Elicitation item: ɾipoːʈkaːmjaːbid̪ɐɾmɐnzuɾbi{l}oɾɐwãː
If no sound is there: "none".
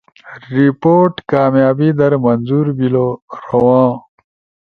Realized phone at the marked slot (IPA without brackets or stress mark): l